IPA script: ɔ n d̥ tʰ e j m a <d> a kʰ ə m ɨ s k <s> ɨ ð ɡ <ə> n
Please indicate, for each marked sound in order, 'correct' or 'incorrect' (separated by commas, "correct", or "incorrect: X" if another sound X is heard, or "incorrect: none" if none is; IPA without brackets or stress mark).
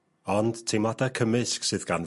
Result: correct, correct, incorrect: a